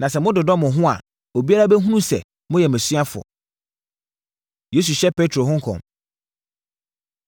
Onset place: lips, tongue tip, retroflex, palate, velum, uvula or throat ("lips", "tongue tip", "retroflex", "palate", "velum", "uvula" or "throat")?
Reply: tongue tip